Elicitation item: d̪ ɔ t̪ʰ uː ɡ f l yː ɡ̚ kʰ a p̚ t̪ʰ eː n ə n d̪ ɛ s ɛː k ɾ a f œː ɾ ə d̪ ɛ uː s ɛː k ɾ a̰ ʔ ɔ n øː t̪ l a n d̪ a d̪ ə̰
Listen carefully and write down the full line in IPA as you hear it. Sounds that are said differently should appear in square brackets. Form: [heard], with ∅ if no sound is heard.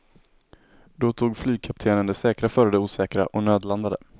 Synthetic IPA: d̪ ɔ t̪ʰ uː ɡ f l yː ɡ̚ kʰ a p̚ t̪ʰ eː n ə n d̪ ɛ s ɛː k ɾ a f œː ɾ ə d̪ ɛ uː s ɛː k ɾ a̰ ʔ ɔ n øː [d̪] l a n d̪ a d̪ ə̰